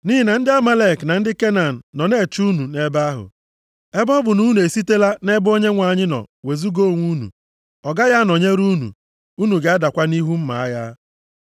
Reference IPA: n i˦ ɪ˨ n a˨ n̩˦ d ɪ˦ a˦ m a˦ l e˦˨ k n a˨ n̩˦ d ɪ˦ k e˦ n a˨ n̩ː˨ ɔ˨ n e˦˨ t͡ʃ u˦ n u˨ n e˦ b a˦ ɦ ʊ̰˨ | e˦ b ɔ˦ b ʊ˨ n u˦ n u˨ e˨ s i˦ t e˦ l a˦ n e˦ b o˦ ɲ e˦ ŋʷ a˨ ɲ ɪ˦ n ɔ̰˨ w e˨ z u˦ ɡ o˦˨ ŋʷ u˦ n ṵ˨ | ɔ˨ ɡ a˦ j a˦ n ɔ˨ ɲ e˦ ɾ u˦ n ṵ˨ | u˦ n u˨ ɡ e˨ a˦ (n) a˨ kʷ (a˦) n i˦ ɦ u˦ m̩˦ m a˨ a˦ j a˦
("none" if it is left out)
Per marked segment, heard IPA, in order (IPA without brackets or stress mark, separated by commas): d, a˦